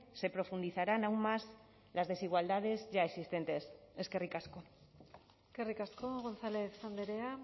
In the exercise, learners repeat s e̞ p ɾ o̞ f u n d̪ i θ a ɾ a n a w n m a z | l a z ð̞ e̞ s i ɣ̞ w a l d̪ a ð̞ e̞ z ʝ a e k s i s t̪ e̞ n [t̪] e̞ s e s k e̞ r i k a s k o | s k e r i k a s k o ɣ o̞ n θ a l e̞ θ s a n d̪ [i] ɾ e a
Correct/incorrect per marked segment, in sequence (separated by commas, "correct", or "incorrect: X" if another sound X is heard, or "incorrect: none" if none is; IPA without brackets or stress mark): correct, incorrect: e